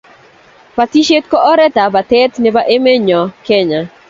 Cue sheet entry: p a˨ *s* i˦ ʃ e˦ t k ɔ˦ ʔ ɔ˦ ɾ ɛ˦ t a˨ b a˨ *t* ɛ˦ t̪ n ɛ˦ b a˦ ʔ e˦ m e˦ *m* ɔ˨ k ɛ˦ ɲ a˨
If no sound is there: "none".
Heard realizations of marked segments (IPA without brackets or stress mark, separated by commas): t, t, ɲ